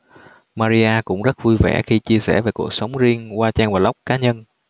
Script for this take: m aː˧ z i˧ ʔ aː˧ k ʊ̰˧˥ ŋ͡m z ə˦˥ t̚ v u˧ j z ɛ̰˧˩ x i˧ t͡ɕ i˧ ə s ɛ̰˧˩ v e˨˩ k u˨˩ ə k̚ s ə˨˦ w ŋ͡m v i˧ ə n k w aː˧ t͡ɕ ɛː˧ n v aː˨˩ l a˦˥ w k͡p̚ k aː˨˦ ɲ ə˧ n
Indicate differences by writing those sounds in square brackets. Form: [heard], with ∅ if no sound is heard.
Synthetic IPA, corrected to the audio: m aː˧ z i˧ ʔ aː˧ k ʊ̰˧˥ ŋ͡m z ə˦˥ t̚ v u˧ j [v] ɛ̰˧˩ x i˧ t͡ɕ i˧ ə s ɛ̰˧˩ v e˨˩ k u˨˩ ə k̚ s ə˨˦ w ŋ͡m [z] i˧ ə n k w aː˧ t͡ɕ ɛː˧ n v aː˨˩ l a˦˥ w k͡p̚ k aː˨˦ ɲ ə˧ n